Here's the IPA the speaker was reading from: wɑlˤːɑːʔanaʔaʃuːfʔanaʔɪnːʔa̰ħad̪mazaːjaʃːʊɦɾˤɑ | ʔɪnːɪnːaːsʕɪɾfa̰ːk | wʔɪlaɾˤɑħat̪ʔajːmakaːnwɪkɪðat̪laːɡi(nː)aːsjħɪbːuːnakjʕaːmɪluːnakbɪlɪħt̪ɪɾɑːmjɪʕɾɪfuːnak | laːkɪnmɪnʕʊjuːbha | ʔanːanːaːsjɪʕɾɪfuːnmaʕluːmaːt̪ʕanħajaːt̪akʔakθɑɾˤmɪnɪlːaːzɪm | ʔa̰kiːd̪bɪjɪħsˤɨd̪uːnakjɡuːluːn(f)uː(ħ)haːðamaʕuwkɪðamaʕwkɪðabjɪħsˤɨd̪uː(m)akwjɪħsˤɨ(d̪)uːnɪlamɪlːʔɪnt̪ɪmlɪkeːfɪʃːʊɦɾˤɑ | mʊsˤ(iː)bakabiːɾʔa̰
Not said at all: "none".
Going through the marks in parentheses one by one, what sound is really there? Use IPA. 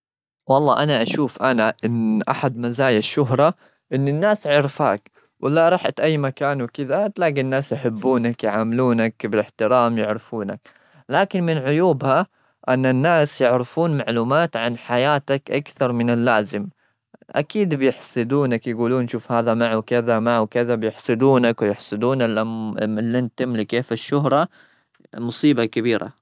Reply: nː, ʃ, f, n, d̪, iː

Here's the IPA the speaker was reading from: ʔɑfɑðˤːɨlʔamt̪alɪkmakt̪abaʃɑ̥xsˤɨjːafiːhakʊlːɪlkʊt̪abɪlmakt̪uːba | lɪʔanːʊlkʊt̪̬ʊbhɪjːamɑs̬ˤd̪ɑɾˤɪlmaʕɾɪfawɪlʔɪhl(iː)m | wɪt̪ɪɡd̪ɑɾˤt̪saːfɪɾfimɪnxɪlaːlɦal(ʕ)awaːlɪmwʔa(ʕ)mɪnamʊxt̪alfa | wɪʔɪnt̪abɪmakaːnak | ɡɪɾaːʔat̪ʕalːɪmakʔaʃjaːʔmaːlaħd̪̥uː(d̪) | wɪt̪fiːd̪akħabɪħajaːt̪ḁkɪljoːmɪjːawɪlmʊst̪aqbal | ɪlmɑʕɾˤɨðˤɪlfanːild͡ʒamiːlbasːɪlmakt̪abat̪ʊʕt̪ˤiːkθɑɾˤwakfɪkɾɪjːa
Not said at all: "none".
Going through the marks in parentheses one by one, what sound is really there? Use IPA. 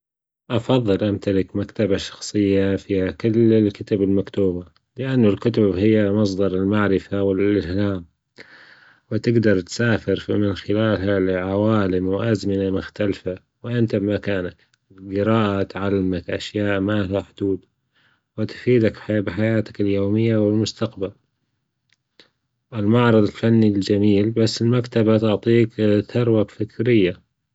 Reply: aː, ʕ, z, d̪

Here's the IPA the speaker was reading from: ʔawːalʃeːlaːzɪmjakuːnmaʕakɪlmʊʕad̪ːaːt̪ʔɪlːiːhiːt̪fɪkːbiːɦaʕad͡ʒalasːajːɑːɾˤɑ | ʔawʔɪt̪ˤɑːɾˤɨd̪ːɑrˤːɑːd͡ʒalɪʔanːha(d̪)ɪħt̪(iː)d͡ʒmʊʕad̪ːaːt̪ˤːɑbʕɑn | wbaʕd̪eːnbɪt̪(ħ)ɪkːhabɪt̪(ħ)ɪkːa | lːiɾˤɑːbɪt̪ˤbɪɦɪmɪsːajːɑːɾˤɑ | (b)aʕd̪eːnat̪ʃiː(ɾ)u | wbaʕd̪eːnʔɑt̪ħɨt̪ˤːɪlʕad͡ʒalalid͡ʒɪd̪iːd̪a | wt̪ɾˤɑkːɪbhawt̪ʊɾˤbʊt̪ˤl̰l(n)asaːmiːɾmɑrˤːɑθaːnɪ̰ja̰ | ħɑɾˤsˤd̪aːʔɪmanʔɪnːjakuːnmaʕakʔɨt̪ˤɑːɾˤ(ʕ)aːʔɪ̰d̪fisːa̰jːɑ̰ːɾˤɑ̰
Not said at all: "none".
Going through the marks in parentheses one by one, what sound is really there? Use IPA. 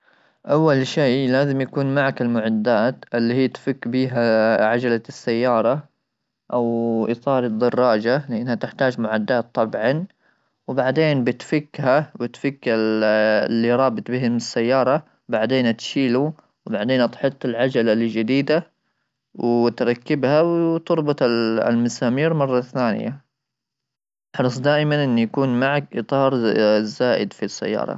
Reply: t̪, aː, f, f, b, l, m, z

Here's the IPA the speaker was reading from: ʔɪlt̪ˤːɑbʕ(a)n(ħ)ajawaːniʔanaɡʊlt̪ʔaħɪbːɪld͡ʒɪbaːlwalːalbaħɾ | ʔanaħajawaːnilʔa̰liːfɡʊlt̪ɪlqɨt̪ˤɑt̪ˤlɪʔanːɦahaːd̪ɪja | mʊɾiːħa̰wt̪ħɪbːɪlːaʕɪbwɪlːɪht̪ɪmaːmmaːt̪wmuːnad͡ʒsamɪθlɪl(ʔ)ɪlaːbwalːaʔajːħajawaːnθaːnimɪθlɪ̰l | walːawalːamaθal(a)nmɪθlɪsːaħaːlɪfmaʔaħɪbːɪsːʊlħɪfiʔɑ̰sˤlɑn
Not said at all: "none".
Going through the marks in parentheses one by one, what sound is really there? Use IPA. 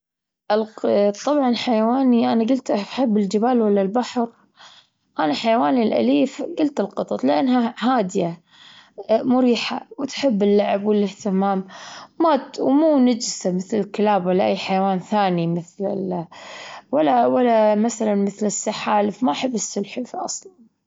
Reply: ɑ, ħ, k, a

